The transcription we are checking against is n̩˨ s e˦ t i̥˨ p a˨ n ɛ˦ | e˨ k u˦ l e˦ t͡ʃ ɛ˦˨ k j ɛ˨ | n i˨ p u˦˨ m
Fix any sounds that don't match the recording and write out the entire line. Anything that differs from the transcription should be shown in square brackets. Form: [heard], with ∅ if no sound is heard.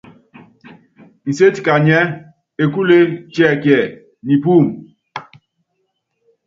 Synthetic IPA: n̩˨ s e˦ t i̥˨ [k] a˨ [ɲ] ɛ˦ | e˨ k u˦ l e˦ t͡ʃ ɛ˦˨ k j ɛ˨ | n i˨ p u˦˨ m